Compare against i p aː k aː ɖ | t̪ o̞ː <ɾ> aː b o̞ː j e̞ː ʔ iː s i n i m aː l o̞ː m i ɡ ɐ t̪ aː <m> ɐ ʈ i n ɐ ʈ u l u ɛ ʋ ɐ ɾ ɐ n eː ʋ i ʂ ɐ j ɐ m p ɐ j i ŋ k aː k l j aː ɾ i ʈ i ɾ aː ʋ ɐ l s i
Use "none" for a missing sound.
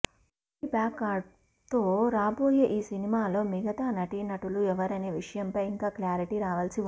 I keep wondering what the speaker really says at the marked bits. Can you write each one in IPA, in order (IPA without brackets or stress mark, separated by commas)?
ɾ, n